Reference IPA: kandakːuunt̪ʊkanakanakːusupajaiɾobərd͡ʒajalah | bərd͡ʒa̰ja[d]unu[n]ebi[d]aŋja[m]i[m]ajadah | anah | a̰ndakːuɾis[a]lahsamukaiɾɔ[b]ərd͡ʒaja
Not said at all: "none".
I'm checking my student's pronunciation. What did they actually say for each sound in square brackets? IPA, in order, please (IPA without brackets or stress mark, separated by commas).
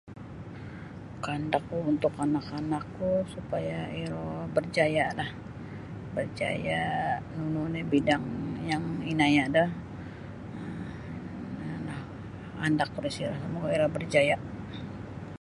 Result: n, n, d, ŋ, n, i, b